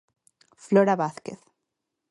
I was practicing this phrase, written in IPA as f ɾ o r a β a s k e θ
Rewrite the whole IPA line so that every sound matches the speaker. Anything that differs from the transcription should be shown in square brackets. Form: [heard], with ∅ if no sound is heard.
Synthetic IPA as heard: f [l] o [ɾ] a β a [θ] k e θ